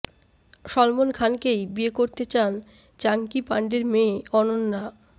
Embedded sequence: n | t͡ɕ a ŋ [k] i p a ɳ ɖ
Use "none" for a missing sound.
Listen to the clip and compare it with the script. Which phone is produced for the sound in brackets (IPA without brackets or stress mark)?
k